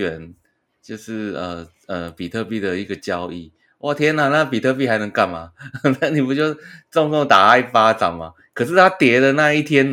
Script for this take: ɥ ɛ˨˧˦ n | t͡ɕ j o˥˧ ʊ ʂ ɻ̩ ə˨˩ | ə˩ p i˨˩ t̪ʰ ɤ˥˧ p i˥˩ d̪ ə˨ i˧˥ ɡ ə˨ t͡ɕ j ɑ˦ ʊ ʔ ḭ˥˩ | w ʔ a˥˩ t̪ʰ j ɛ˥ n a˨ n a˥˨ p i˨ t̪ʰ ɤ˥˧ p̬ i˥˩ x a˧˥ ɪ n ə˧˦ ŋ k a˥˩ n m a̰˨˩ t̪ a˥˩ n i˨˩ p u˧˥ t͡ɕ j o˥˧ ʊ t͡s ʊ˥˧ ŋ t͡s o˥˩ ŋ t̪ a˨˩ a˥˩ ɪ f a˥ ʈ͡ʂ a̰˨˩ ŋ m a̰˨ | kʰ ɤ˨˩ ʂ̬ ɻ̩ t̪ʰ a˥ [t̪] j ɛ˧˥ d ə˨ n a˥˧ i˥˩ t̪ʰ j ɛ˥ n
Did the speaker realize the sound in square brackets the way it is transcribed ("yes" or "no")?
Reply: yes